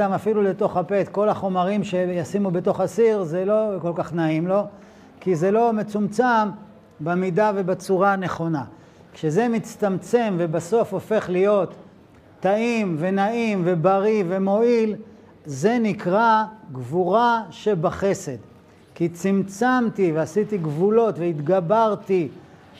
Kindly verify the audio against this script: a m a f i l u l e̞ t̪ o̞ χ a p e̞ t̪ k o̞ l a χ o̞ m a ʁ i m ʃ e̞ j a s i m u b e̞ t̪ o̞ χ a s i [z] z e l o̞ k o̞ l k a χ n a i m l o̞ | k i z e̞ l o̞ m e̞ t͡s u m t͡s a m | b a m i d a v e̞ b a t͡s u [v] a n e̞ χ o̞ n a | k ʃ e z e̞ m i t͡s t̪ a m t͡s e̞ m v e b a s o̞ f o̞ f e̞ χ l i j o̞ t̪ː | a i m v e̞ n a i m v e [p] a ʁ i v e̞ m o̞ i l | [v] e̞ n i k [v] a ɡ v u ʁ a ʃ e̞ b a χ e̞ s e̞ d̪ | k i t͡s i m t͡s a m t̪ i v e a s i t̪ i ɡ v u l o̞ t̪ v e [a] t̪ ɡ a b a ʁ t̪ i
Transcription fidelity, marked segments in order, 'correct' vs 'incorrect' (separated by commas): incorrect, incorrect, incorrect, incorrect, incorrect, incorrect